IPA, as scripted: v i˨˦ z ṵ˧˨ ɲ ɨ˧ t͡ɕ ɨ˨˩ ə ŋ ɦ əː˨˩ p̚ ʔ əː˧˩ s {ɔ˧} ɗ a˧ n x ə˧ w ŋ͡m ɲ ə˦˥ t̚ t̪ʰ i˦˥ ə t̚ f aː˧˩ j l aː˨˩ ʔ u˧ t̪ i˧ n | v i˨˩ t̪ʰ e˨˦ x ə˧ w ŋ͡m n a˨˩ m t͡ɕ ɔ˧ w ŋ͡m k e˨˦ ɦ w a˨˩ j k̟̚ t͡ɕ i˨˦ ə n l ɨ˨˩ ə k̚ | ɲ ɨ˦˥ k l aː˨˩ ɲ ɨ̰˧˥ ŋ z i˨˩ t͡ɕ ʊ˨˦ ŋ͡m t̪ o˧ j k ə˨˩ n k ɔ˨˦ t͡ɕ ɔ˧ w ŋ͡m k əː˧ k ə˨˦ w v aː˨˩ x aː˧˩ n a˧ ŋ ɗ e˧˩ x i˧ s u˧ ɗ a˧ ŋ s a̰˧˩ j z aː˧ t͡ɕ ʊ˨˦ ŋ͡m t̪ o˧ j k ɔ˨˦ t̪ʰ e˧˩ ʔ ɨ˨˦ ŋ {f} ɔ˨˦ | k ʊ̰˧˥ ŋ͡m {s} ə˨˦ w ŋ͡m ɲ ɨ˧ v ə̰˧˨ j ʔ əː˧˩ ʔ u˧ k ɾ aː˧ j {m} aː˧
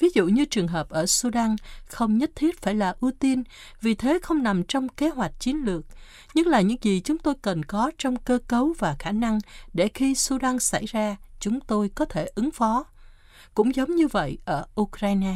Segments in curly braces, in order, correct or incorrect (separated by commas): incorrect, correct, incorrect, incorrect